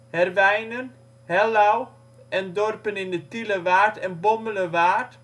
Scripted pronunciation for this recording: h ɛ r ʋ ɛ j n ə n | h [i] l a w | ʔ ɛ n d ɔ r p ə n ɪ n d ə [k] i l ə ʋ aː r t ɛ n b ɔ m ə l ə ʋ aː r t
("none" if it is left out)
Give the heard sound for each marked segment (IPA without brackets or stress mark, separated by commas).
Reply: ɛ, t